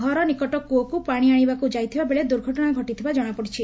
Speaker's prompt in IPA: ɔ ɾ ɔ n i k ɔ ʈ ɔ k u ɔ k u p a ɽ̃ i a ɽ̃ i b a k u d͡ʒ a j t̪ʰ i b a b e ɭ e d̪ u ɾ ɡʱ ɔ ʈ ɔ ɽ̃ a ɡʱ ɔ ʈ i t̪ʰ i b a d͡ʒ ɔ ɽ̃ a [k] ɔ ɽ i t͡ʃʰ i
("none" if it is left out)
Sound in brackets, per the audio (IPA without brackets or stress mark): p